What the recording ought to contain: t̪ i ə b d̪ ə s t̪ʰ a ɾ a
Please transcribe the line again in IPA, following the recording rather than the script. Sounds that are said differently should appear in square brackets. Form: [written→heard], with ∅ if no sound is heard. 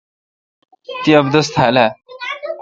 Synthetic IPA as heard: t̪ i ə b d̪ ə s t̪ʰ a [ɾ→l] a

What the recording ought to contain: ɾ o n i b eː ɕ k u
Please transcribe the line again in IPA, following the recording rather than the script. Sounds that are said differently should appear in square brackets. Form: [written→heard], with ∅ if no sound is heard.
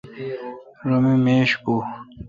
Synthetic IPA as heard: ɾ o [n→m] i [b→m] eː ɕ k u

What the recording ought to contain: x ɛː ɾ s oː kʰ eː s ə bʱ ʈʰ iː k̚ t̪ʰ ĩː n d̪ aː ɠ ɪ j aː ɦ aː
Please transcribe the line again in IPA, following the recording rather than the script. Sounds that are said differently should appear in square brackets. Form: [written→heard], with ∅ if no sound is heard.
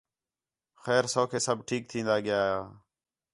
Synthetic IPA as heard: x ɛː ɾ s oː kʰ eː s ə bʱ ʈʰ iː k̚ t̪ʰ ĩː n d̪ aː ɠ ɪ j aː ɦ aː

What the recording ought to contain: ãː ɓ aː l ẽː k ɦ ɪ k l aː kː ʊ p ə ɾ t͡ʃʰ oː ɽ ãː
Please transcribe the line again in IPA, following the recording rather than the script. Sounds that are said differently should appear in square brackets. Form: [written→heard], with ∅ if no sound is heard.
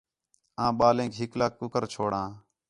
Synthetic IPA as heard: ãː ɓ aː l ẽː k ɦ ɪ k l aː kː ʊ [p→k] ə ɾ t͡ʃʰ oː ɽ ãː

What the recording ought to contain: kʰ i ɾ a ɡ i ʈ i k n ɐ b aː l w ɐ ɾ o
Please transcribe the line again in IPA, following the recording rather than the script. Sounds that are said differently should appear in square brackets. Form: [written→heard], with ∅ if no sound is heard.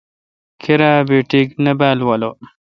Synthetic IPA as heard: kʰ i ɾ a [ɡ→b] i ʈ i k n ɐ b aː l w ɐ [ɾ→l] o

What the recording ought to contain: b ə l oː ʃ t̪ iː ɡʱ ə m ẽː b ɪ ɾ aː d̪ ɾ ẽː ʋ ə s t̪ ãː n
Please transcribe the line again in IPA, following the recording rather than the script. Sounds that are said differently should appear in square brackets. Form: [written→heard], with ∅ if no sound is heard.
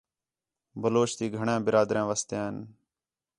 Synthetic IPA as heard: b ə l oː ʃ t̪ iː ɡʱ ə [m→ɳ] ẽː b ɪ ɾ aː d̪ ɾ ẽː ʋ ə s t̪ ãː n

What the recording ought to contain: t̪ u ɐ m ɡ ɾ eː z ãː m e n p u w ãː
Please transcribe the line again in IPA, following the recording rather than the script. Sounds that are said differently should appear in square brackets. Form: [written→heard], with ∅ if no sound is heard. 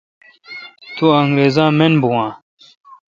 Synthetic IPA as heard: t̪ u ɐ [m→ŋ] ɡ ɾ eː z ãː m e n [p→b] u w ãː

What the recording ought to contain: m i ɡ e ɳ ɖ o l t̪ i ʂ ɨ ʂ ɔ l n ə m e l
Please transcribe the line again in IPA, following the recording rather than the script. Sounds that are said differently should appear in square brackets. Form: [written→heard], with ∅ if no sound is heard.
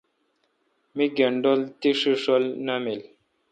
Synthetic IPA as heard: m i ɡ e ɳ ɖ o l t̪ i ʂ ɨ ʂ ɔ l n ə m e l

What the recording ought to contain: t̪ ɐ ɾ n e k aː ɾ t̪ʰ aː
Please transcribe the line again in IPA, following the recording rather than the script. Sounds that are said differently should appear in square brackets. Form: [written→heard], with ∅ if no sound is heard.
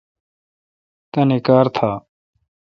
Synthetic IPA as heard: t̪ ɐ [ɾ→∅] n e k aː ɾ t̪ʰ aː

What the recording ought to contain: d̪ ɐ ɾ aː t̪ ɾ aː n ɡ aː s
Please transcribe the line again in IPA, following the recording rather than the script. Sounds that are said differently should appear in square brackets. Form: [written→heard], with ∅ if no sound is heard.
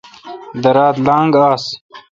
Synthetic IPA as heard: d̪ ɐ ɾ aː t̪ [ɾ→l] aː [n→ŋ] ɡ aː s

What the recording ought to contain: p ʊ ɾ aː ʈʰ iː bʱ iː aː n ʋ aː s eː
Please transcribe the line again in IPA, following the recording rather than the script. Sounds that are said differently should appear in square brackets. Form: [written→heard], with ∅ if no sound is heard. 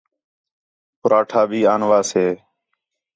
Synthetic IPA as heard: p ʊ ɾ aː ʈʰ [iː→aː] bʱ iː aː n ʋ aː s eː

